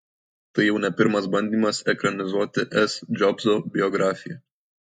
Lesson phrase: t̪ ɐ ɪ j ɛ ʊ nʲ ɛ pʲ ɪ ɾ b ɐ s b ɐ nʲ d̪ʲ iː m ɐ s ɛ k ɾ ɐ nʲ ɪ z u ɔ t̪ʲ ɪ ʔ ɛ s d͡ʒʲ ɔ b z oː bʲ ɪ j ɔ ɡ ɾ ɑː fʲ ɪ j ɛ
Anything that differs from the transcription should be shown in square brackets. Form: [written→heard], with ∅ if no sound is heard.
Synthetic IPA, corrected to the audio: t̪ ɐ ɪ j ɛ ʊ nʲ ɛ pʲ ɪ ɾ [b→m] ɐ s b ɐ nʲ d̪ʲ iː m ɐ s ɛ k ɾ ɐ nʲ ɪ z u ɔ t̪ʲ ɪ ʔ ɛ s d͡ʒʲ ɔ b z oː bʲ ɪ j ɔ ɡ ɾ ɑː fʲ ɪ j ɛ